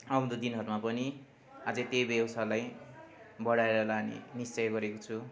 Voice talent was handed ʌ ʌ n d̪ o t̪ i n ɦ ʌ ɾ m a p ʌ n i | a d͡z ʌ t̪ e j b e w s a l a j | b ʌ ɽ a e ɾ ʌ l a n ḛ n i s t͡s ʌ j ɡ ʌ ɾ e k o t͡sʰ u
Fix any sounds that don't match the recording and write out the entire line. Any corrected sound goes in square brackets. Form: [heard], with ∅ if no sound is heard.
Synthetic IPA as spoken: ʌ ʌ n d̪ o [d̪] i n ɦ ʌ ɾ m a p ʌ n i | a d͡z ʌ t̪ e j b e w s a l a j | b ʌ ɽ a e ɾ ʌ l a n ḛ n i s t͡s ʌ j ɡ ʌ ɾ e k o t͡sʰ u